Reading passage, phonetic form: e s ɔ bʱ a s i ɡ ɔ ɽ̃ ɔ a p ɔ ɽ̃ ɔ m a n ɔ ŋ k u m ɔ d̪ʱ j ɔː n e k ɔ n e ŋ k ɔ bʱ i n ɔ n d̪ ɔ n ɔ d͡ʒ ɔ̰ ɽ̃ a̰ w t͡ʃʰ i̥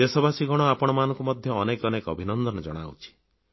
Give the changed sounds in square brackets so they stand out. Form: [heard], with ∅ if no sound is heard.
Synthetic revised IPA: e s ɔ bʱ a s i ɡ ɔ ɽ̃ ɔ a p ɔ ɽ̃ ɔ m a n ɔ ŋ k u m ɔ d̪ʱ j ɔː n e k ɔ n e [∅] k ɔ bʱ i n ɔ n d̪ ɔ n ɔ d͡ʒ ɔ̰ ɽ̃ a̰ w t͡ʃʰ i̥